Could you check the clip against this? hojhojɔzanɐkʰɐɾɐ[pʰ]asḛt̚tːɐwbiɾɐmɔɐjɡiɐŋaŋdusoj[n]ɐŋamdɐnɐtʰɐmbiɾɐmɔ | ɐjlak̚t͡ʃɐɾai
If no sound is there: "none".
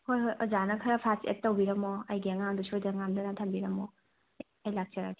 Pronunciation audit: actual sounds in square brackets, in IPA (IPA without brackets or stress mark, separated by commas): pʰ, d